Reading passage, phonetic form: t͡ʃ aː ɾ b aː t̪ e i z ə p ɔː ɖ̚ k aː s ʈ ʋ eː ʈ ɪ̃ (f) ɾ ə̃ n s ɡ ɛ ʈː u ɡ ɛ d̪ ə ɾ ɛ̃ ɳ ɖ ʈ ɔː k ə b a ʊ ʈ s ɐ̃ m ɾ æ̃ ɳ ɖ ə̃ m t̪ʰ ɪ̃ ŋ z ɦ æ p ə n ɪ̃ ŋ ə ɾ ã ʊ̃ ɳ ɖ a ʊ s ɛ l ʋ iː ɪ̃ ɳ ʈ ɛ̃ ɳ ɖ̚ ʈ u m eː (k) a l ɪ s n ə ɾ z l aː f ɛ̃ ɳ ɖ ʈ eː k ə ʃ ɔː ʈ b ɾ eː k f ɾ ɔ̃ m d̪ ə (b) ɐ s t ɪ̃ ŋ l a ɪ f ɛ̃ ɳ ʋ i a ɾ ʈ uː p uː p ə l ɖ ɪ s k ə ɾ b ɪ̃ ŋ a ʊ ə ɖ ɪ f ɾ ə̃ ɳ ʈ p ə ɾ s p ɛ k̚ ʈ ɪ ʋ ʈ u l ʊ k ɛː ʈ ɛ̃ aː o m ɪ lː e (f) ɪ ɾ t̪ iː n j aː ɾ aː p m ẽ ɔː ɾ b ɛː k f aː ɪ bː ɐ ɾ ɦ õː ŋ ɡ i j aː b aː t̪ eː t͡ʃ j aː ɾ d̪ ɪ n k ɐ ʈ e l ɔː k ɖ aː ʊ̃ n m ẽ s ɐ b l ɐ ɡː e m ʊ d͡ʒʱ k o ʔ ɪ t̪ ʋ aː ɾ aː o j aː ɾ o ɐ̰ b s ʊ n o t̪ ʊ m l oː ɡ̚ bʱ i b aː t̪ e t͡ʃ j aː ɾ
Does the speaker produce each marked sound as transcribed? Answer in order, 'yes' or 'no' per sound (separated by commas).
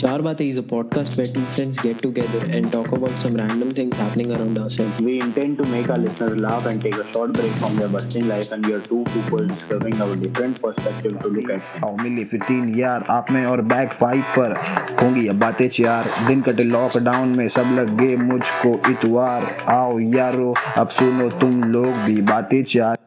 yes, yes, yes, yes